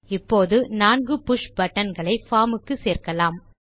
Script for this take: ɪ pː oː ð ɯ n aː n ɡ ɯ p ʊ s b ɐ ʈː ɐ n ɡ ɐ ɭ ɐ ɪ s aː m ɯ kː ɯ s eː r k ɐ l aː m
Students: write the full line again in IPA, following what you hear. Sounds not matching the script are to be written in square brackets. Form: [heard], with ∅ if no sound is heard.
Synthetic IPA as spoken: ɪ pː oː ð ɯ n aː n ɡ ɯ p ʊ [ʂ] b ɐ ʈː ɐ n ɡ ɐ ɭ ɐ ɪ [f] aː m ɯ kː ɯ s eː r k ɐ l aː m